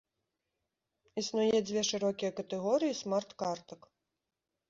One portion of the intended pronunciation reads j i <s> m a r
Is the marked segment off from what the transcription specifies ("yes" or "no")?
no